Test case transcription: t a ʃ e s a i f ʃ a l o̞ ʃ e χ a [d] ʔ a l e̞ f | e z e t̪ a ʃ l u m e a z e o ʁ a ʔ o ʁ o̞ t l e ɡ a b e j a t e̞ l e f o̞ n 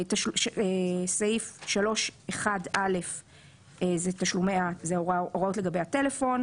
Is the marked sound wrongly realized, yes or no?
no